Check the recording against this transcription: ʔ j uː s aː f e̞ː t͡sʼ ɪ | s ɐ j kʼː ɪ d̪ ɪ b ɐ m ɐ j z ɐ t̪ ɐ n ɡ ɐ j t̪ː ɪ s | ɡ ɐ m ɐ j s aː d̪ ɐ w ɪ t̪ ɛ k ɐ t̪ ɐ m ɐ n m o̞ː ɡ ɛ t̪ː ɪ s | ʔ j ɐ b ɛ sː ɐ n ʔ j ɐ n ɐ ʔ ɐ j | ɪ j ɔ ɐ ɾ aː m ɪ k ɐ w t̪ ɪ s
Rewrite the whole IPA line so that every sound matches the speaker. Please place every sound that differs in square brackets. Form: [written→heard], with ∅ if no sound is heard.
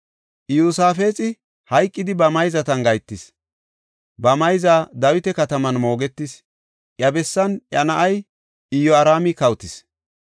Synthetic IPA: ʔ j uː s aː f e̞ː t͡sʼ ɪ | [s→h] ɐ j kʼː ɪ d̪ ɪ b ɐ m ɐ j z ɐ t̪ ɐ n ɡ ɐ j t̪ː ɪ s | [ɡ→b] ɐ m ɐ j [s→z] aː d̪ ɐ w ɪ t̪ ɛ k ɐ t̪ ɐ m ɐ n m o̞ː ɡ ɛ t̪ː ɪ s | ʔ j ɐ b ɛ sː ɐ n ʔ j ɐ n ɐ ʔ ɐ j | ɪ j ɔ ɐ ɾ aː m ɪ k ɐ w t̪ ɪ s